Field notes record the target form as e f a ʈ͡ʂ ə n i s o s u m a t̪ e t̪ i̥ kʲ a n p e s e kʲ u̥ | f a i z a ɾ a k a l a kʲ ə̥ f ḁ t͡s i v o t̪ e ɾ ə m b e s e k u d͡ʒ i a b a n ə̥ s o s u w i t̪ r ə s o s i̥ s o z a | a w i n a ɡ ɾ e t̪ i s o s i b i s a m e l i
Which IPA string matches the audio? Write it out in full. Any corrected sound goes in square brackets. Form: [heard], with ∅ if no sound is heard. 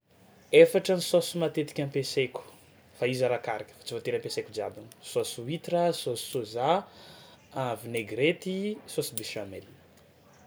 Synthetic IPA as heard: e f a ʈ͡ʂ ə n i s o s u m a t̪ e t̪ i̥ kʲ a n p e s e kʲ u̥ | f a i z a ɾ a k a [ɾ] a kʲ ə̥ f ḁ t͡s i v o t̪ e ɾ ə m [p] e s e k u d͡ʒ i a b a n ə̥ s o s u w i t̪ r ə s o s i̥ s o z a | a [v] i n [e] ɡ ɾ e t̪ i s o s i b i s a m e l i